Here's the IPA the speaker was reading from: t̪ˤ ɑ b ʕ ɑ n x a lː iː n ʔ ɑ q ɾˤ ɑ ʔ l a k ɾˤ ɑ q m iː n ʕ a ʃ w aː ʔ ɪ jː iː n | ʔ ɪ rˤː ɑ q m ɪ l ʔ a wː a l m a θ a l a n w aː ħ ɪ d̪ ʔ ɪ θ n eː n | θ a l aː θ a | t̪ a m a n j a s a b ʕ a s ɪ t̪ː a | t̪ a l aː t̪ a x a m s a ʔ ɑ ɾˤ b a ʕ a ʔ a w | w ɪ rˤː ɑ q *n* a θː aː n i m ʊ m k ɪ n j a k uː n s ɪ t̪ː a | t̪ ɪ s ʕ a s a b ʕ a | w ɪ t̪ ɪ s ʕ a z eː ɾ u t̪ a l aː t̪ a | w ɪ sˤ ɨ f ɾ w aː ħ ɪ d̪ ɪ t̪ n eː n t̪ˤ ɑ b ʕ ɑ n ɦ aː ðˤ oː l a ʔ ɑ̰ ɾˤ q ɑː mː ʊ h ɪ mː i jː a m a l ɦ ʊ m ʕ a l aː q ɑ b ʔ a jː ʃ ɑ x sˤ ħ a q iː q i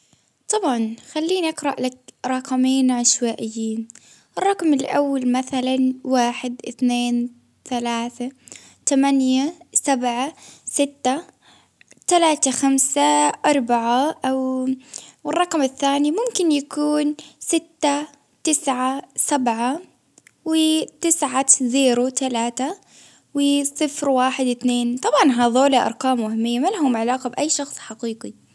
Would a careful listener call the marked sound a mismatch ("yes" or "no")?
yes